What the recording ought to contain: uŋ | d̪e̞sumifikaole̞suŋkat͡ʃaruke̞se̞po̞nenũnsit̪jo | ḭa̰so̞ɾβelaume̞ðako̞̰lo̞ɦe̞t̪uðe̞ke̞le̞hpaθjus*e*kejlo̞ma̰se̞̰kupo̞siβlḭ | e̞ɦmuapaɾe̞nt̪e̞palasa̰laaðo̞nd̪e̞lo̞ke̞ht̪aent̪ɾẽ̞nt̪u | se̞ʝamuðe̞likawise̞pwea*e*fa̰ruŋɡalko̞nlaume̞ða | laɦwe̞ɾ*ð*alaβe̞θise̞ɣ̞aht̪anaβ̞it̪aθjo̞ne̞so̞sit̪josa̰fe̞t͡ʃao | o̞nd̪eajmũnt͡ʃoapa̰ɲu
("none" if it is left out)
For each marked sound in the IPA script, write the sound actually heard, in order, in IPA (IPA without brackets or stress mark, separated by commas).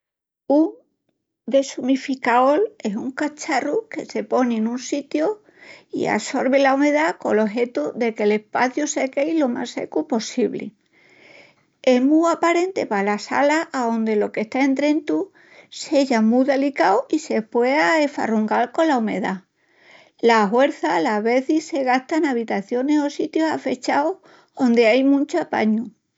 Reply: e, e, θ